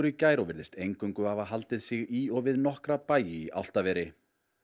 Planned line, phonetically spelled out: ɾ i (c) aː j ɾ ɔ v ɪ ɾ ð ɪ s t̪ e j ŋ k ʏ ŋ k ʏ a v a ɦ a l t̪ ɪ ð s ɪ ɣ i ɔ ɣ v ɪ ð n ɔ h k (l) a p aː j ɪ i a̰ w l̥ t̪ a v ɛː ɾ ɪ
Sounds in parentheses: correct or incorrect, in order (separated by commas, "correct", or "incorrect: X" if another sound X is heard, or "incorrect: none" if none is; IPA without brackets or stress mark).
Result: correct, incorrect: ɾ